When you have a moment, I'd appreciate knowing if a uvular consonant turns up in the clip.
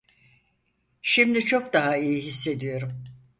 no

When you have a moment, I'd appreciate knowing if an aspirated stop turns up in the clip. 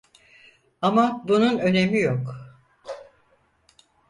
no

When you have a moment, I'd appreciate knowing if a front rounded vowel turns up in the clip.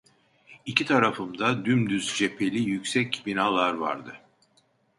yes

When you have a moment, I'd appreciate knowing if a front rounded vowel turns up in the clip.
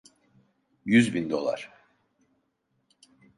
yes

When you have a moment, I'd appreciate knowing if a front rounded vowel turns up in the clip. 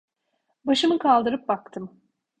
no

